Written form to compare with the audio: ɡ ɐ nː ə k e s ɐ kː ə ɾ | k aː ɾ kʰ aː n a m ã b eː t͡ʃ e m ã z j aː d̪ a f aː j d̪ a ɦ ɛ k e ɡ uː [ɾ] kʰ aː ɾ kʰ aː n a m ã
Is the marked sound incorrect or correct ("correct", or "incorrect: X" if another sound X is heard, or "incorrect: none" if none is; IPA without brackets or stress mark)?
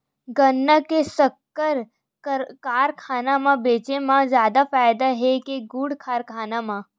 incorrect: ɽ